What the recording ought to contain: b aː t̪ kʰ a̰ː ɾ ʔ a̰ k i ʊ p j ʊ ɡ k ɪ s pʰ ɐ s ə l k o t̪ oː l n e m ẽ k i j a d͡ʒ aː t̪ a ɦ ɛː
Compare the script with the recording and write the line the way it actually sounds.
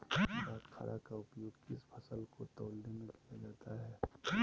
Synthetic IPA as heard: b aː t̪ kʰ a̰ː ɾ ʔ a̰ k a ʊ p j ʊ ɡ k ɪ s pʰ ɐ s ə l k o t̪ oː l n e m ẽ k i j a d͡ʒ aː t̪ a ɦ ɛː